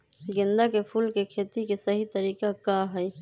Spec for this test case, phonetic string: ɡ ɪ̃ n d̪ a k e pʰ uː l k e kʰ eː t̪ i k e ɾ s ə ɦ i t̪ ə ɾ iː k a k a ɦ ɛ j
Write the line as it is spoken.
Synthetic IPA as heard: ɡ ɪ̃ n d̪ a k e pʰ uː l k e kʰ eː t̪ i k e s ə ɦ i t̪ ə ɾ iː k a k a ɦ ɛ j